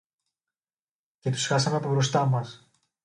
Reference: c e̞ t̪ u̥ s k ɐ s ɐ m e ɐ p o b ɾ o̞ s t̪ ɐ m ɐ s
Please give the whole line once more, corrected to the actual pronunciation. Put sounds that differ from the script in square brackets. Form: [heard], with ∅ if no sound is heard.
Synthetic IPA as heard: c e̞ t̪ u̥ s [x] ɐ s ɐ m e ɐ p o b ɾ o̞ s t̪ ɐ m ɐ s